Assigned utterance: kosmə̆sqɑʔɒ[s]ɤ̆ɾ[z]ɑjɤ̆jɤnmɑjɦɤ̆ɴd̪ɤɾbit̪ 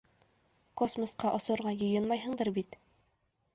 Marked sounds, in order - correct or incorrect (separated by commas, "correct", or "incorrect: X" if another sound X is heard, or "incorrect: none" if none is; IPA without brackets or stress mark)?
correct, incorrect: ʁ